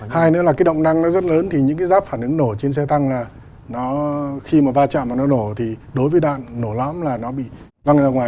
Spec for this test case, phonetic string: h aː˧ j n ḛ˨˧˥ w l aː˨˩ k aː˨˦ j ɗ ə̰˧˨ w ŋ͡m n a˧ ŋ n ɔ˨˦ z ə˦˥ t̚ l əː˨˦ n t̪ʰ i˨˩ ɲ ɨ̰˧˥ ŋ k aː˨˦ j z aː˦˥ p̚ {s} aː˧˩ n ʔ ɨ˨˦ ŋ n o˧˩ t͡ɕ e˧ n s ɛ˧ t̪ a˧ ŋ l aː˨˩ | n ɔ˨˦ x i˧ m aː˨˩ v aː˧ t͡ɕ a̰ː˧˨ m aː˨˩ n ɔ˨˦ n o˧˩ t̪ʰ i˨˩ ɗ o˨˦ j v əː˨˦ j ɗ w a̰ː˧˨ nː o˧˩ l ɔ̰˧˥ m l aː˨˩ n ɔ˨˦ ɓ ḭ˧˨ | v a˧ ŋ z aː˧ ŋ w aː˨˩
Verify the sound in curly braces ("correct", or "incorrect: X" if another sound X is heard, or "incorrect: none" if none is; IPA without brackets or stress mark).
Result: incorrect: f